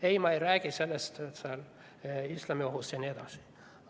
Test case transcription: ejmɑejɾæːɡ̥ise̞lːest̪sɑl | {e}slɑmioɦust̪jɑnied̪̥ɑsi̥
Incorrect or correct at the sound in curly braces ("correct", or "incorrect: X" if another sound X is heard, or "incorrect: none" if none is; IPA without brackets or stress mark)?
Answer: incorrect: i